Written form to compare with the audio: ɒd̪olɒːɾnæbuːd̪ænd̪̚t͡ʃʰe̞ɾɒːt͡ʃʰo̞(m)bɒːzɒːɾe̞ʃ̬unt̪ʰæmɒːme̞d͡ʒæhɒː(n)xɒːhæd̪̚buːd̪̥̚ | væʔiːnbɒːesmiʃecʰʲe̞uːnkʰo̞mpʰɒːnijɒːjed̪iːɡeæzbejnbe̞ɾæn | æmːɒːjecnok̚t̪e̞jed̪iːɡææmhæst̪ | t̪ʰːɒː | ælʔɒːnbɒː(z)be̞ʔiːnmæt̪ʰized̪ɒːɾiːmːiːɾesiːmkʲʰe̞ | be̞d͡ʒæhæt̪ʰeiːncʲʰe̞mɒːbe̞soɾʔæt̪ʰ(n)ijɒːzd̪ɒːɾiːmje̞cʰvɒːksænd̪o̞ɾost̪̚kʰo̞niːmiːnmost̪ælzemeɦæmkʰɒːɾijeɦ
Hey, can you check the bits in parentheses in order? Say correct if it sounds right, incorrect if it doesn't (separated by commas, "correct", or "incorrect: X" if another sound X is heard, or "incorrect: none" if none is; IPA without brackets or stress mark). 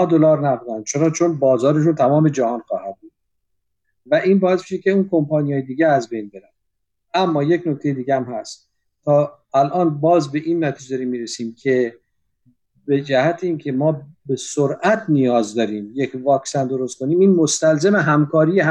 incorrect: n, correct, correct, correct